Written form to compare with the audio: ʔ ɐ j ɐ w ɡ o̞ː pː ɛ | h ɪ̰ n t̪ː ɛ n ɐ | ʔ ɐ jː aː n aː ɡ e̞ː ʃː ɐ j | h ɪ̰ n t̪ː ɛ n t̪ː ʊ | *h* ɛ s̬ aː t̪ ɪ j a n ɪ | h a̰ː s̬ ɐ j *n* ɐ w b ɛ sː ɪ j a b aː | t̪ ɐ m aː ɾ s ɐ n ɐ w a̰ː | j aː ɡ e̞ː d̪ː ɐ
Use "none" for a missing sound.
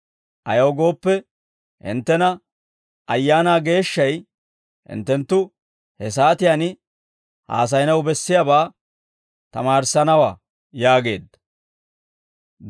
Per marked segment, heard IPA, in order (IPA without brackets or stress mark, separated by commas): h, n